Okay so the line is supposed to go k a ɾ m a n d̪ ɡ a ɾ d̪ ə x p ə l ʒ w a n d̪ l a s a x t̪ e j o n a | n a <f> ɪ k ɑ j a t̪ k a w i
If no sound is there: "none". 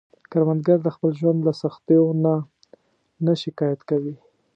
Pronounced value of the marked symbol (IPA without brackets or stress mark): ʃ